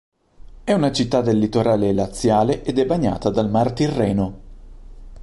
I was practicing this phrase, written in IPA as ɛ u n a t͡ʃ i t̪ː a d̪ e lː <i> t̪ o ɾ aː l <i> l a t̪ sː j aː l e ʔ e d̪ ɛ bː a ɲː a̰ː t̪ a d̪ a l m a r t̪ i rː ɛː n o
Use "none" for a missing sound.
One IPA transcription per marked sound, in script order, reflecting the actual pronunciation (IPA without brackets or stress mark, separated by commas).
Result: i, e